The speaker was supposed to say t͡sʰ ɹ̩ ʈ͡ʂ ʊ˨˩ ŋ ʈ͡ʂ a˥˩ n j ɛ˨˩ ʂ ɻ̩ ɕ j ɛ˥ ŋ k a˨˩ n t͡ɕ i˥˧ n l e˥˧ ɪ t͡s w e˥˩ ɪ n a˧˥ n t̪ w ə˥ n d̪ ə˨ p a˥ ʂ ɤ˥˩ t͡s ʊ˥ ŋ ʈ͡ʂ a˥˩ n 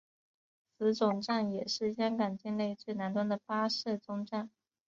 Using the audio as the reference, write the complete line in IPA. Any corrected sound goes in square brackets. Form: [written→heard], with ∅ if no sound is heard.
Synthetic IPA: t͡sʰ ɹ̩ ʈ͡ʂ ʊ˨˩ ŋ ʈ͡ʂ a˥˩ n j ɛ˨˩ ʂ ɻ̩ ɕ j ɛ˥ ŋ k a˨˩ n t͡ɕ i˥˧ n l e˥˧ ɪ t͡s w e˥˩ ɪ n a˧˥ n t̪ w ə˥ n d̪ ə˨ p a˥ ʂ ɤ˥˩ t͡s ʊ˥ ŋ ʈ͡ʂ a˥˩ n

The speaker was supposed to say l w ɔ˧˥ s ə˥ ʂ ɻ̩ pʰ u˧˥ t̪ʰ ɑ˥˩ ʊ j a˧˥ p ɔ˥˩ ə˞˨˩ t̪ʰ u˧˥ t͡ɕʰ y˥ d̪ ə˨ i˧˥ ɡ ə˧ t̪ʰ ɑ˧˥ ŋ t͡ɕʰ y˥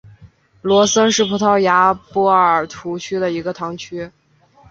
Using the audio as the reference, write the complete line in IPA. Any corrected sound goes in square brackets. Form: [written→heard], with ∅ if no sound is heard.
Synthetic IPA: l w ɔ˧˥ s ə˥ ʂ ɻ̩ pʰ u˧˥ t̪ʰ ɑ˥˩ ʊ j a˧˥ p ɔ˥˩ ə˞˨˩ t̪ʰ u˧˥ t͡ɕʰ y˥ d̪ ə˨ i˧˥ ɡ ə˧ t̪ʰ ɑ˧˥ ŋ t͡ɕʰ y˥

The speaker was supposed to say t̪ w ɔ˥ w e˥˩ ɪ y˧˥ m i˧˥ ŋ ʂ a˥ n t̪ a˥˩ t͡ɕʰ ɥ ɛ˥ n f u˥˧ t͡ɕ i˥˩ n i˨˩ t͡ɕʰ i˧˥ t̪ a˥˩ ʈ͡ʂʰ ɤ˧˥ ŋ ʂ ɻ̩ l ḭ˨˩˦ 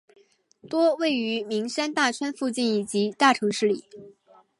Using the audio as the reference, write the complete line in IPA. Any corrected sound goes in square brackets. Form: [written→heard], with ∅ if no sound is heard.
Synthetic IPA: t̪ w ɔ˥ w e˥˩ ɪ y˧˥ m i˧˥ ŋ ʂ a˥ n t̪ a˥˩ t͡ɕʰ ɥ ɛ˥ n f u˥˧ t͡ɕ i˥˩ n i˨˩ [t͡ɕʰ→t͡ɕ] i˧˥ t̪ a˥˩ ʈ͡ʂʰ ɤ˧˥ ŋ ʂ ɻ̩ l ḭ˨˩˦

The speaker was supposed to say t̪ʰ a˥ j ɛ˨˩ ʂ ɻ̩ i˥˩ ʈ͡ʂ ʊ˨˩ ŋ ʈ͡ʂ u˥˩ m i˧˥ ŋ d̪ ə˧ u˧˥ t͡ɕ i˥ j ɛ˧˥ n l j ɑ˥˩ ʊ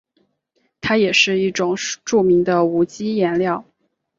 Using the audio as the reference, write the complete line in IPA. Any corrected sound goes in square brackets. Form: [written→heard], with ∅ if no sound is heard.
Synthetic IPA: t̪ʰ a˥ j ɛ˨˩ ʂ ɻ̩ i˥˩ ʈ͡ʂ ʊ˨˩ ŋ ʈ͡ʂ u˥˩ m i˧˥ ŋ d̪ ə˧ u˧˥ t͡ɕ i˥ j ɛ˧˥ n l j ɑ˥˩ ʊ

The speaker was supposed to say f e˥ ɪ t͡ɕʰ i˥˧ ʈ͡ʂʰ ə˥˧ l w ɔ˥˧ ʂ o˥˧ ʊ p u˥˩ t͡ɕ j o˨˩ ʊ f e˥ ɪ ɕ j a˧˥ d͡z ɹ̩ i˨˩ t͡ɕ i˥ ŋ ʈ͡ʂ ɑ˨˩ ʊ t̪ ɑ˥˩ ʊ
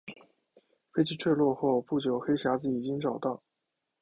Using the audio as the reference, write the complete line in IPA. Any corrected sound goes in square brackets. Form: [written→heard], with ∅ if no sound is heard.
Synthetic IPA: f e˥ ɪ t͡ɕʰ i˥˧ ʈ͡ʂʰ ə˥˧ l w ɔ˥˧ [ʂ→x] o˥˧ ʊ p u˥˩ t͡ɕ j o˨˩ ʊ [f→x] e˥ ɪ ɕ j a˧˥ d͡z ɹ̩ i˨˩ t͡ɕ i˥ ŋ ʈ͡ʂ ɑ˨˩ ʊ t̪ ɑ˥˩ ʊ

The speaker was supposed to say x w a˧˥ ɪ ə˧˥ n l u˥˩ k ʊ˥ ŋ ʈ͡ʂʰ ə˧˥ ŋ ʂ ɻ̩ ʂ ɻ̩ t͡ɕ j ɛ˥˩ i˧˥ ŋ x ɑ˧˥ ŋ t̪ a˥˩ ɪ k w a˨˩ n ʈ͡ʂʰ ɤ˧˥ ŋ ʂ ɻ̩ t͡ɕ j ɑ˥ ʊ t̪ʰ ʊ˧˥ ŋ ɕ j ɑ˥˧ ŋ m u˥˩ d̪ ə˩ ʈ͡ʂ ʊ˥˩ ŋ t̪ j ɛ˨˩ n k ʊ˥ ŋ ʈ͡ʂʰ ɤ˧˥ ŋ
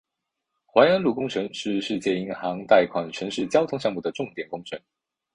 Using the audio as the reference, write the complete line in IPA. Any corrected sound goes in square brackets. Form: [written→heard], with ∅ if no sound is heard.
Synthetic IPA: x w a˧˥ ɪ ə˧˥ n l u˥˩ k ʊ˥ ŋ ʈ͡ʂʰ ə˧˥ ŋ ʂ ɻ̩ ʂ ɻ̩ t͡ɕ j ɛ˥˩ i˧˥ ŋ x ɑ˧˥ ŋ t̪ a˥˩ ɪ [k→kʰ] w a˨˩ n ʈ͡ʂʰ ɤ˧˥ ŋ ʂ ɻ̩ t͡ɕ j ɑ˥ ʊ t̪ʰ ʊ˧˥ ŋ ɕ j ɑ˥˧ ŋ m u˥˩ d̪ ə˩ ʈ͡ʂ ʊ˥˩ ŋ t̪ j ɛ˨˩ n k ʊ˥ ŋ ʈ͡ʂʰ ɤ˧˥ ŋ

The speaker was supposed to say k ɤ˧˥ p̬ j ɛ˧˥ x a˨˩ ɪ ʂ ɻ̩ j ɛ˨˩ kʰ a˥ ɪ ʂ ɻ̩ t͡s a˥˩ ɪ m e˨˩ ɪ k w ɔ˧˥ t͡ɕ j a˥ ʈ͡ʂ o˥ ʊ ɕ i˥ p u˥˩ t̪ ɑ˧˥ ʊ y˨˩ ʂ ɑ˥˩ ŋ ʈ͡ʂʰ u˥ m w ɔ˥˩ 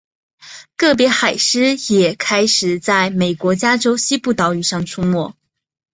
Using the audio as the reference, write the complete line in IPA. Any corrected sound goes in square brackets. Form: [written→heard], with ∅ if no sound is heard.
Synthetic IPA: k [ɤ˧˥→ɤ˥˩] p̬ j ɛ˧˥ x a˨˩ ɪ ʂ ɻ̩ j ɛ˨˩ kʰ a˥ ɪ ʂ ɻ̩ t͡s a˥˩ ɪ m e˨˩ ɪ k w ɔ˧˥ t͡ɕ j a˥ ʈ͡ʂ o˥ ʊ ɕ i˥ p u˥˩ t̪ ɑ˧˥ ʊ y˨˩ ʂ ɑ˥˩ ŋ ʈ͡ʂʰ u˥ m w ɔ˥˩

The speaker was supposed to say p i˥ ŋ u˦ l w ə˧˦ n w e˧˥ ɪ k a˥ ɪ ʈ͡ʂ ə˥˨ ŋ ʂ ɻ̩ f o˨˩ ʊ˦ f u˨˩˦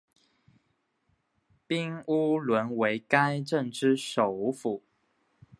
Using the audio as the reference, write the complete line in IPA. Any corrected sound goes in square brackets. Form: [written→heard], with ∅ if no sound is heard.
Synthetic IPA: p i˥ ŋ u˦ l w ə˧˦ n w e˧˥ ɪ k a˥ ɪ ʈ͡ʂ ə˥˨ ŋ [ʂ→ʈ͡ʂ] ɻ̩ [f→ʂ] o˨˩ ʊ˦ f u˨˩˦

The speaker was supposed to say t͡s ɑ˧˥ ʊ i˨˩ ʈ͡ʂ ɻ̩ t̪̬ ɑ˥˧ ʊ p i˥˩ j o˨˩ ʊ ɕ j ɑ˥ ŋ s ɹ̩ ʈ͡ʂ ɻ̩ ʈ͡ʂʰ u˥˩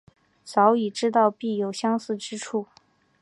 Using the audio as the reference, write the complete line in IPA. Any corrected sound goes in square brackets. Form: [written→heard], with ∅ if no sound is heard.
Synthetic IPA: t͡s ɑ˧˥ ʊ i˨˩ ʈ͡ʂ ɻ̩ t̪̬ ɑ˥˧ ʊ p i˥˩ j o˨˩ ʊ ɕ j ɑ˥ ŋ s ɹ̩ ʈ͡ʂ ɻ̩ ʈ͡ʂʰ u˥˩

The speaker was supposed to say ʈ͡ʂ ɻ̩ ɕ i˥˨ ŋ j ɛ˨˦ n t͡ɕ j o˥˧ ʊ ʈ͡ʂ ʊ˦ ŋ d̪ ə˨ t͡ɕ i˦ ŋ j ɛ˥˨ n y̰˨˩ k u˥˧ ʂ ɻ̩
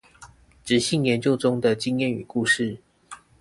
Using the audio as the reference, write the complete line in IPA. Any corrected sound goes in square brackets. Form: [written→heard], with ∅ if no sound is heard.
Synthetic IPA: ʈ͡ʂ ɻ̩ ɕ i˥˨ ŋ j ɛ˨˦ n t͡ɕ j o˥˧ ʊ ʈ͡ʂ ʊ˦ ŋ d̪ ə˨ t͡ɕ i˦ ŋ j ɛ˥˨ n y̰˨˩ k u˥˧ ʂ ɻ̩

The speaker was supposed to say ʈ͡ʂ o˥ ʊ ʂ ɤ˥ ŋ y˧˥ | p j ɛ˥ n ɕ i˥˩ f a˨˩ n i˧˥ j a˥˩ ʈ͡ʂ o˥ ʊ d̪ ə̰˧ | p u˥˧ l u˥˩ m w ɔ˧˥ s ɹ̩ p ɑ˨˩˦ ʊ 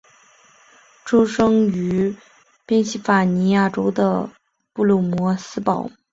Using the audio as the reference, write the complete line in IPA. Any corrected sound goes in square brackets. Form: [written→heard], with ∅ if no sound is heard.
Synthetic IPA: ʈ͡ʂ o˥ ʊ ʂ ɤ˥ ŋ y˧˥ | p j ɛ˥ n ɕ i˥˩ f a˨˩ n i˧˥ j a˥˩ ʈ͡ʂ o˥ ʊ d̪ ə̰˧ | p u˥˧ l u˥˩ m w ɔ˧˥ s ɹ̩ p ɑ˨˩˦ ʊ

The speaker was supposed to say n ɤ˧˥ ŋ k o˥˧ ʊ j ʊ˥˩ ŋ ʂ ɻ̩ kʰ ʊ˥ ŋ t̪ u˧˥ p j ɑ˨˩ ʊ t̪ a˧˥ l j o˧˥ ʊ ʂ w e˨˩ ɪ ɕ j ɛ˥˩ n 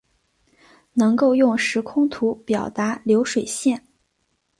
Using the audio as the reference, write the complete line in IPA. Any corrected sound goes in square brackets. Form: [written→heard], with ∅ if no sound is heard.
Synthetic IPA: n ɤ˧˥ ŋ k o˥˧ ʊ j ʊ˥˩ ŋ ʂ ɻ̩ kʰ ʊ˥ ŋ [t̪→t̪ʰ] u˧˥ p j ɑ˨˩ ʊ t̪ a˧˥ l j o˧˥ ʊ ʂ w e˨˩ ɪ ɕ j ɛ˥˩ n

